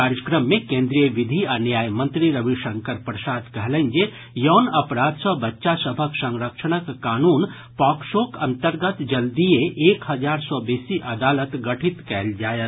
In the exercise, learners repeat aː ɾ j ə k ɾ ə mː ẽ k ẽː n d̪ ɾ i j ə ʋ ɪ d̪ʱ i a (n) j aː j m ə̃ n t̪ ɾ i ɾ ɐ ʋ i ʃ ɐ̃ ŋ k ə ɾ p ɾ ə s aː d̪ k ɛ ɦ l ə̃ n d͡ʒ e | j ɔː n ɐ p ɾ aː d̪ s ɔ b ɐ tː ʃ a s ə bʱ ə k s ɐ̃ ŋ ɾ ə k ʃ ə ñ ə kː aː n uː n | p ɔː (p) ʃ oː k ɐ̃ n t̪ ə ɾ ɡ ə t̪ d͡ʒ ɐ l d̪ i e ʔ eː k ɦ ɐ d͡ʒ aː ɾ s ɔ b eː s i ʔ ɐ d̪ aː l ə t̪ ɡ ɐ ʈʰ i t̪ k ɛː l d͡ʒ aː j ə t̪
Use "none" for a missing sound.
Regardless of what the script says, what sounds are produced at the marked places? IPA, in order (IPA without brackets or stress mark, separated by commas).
n, k